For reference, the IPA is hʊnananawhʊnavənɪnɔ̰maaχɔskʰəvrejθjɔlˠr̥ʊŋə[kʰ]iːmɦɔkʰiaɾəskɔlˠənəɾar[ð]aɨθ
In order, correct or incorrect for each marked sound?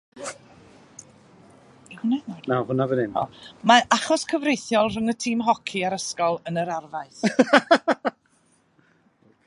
incorrect: tʰ, incorrect: v

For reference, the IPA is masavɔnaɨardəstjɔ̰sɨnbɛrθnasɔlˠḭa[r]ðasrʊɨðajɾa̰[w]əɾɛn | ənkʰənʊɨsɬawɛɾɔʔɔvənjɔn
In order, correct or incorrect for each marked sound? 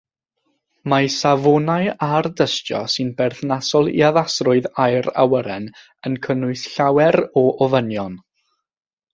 incorrect: none, correct

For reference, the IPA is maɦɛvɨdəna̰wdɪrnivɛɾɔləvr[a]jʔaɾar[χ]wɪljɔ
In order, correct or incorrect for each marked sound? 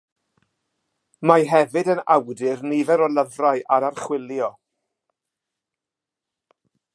correct, correct

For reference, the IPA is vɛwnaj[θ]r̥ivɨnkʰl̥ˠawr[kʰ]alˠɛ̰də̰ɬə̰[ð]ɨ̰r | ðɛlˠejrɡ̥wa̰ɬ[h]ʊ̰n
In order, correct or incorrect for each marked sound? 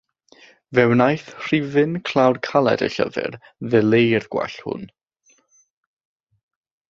correct, correct, incorrect: v, correct

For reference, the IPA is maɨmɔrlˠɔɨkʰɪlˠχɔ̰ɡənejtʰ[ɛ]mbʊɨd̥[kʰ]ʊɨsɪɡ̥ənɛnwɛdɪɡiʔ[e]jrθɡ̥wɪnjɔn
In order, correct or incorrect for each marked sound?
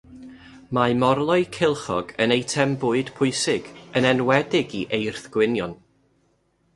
correct, incorrect: pʰ, correct

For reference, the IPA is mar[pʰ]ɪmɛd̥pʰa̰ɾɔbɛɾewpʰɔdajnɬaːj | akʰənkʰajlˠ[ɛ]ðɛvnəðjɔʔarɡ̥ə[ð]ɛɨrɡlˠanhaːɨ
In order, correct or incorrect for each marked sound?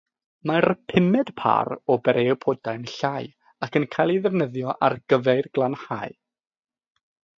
correct, incorrect: i, incorrect: v

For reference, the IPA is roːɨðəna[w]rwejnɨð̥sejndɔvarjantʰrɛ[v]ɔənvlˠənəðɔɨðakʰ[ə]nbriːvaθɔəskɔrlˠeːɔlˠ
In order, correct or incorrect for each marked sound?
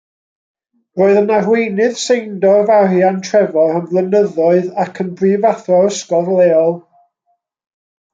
incorrect: none, correct, correct

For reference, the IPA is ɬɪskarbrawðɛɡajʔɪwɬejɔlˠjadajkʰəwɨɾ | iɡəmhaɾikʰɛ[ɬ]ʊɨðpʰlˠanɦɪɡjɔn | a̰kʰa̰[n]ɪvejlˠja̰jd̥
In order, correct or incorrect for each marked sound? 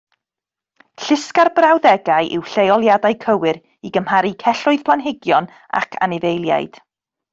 correct, correct

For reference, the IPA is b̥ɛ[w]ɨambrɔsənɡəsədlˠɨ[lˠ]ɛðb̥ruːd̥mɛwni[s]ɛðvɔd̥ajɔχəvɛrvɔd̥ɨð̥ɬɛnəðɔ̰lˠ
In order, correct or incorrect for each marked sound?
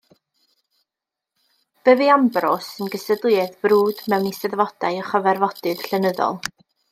incorrect: v, incorrect: none, correct

